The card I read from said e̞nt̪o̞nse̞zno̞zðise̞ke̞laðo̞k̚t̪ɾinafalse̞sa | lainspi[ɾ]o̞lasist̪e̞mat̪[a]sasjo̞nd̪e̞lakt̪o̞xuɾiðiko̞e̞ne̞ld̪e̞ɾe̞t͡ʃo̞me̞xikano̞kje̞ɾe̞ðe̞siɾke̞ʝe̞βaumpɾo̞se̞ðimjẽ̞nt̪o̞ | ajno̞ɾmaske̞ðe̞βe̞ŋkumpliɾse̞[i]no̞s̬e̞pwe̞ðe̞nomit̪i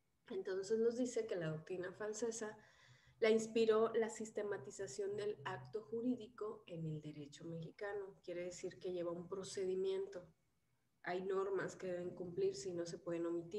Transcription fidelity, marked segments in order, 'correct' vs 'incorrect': correct, incorrect: i, correct

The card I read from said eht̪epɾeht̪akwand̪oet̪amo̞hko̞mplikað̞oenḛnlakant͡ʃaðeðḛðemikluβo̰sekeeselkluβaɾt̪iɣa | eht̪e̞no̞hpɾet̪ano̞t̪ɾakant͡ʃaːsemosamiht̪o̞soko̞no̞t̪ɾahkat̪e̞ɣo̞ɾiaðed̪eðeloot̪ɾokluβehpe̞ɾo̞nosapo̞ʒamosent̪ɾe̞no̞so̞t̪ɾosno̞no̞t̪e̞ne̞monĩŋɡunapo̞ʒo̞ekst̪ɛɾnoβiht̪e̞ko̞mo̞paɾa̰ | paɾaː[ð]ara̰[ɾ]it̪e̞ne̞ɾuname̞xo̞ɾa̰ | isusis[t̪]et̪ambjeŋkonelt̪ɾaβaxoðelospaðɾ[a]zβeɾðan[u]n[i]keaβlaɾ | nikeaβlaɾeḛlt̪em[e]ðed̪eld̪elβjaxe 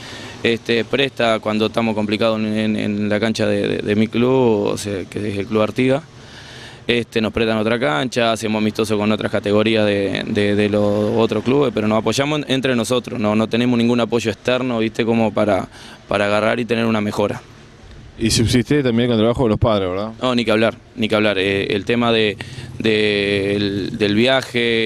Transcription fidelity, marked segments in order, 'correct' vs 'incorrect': incorrect: ɣ, correct, correct, incorrect: e, incorrect: o, correct, incorrect: a

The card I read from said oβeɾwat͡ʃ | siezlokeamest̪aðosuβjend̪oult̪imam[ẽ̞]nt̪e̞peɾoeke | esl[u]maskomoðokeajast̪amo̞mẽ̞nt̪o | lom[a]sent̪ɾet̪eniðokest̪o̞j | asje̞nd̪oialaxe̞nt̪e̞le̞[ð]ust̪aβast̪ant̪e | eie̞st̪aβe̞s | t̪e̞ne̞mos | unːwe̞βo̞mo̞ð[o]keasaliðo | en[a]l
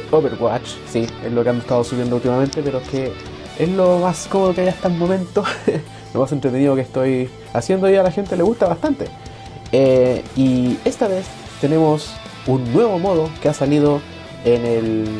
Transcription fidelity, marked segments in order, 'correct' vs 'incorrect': incorrect: e̞, incorrect: o, correct, incorrect: ɣ, correct, incorrect: e

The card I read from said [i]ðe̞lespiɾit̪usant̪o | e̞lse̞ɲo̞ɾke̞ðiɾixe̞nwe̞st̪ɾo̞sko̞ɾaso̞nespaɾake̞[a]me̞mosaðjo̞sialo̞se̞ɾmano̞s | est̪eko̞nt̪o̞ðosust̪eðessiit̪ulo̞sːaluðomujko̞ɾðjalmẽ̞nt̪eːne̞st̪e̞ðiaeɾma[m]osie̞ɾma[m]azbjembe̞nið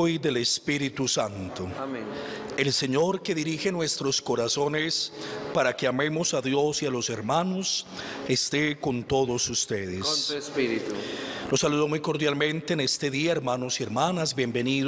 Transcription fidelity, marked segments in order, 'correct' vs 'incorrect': incorrect: j, correct, incorrect: n, incorrect: n

